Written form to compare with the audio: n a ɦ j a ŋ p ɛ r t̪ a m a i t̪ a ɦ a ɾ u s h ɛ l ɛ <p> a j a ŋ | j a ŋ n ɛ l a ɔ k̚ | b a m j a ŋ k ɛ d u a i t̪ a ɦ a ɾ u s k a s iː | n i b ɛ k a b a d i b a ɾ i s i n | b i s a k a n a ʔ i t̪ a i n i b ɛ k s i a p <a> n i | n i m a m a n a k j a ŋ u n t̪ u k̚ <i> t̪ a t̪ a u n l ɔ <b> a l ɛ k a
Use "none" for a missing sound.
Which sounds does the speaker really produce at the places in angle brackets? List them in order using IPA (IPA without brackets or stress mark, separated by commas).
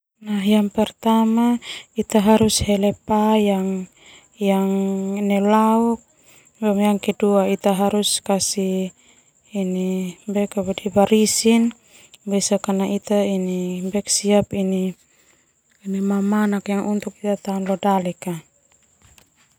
p, i, i, d